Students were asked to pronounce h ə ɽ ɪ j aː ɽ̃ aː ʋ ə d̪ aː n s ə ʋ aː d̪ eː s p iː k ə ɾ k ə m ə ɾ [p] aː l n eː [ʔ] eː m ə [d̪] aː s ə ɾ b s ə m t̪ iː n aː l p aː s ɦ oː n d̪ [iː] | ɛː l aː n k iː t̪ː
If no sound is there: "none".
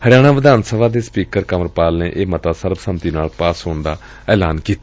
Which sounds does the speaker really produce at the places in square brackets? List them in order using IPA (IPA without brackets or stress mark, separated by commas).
p, ʔ, t̪, aː